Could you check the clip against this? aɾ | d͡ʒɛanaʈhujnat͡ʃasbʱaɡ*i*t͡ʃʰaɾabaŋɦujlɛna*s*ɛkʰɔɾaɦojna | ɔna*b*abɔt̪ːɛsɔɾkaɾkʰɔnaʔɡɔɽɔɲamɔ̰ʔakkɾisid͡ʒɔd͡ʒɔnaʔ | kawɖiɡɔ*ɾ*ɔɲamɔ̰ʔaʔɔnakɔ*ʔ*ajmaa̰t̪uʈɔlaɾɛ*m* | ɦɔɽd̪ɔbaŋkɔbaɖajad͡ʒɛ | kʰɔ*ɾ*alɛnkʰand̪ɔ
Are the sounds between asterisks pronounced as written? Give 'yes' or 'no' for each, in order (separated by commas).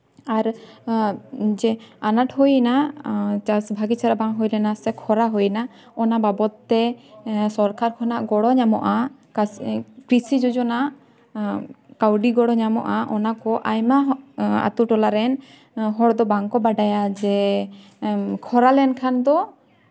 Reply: yes, yes, yes, no, yes, no, yes